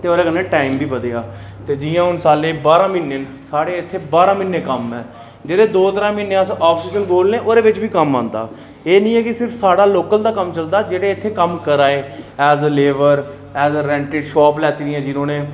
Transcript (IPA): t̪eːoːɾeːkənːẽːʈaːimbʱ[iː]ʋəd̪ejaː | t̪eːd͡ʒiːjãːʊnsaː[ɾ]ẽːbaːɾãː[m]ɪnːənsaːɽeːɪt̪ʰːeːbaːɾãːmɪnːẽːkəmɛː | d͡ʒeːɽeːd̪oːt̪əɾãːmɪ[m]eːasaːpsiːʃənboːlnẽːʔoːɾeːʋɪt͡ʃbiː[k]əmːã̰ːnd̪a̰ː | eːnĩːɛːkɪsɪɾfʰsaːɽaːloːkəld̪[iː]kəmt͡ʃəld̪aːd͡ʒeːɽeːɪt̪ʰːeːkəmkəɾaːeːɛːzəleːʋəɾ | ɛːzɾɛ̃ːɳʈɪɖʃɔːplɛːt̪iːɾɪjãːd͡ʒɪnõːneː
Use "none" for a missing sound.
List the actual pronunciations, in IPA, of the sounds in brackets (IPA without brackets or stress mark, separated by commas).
iː, l, m, n, k, aː